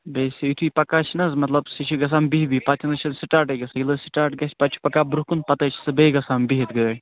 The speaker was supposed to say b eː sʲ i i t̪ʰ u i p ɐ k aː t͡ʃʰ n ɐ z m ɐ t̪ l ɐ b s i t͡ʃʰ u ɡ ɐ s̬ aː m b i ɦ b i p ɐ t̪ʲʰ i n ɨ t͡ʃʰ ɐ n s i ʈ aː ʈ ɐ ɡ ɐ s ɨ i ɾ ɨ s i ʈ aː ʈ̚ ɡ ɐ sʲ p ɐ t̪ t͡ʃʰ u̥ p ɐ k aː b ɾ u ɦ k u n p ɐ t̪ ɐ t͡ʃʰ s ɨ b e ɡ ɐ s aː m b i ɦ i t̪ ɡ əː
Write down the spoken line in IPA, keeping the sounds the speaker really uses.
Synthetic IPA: b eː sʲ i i t̪ʰ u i p ɐ k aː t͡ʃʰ n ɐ z m ɐ t̪ l ɐ b s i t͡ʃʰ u ɡ ɐ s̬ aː m b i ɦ b i p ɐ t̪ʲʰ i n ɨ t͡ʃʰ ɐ n s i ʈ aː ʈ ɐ ɡ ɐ s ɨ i l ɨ s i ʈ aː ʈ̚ ɡ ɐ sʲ p ɐ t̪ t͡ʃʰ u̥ p ɐ k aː b ɾ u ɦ k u n p ɐ t̪ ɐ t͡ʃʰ s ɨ b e ɡ ɐ s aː m b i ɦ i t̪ ɡ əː